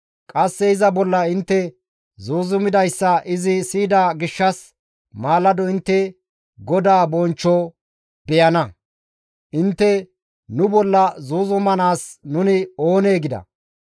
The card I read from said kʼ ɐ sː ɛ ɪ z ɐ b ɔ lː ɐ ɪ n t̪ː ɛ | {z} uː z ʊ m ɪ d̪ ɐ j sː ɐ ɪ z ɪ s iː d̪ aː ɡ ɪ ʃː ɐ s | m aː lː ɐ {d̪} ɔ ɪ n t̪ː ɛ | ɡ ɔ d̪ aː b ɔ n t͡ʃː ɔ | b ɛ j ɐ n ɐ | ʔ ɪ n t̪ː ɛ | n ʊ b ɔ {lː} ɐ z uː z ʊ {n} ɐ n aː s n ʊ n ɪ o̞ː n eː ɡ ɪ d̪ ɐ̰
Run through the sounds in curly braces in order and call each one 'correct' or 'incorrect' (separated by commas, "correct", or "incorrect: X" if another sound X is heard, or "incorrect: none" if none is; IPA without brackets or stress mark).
correct, correct, correct, incorrect: m